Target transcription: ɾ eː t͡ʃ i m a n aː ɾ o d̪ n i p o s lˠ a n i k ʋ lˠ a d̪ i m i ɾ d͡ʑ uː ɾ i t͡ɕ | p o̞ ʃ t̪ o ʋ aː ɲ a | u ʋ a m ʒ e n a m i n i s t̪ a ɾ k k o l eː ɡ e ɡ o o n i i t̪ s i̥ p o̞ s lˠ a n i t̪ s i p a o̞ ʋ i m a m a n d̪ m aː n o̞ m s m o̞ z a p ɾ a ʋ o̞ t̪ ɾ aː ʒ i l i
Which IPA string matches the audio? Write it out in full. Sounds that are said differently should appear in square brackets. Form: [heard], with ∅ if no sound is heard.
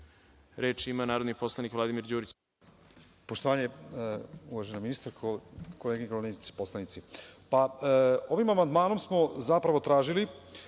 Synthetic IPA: ɾ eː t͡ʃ i m a n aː ɾ o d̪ n i p o s lˠ a n i k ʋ lˠ a d̪ i m i ɾ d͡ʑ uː ɾ i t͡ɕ | p o̞ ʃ t̪ o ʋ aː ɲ [e] | u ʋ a [∅] ʒ e n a m i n i s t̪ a ɾ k k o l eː ɡ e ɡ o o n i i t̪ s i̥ p o̞ s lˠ a n i t̪ s i p a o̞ ʋ i m a m a n d̪ m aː n o̞ m s m o̞ z a p ɾ a ʋ o̞ t̪ ɾ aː ʒ i l i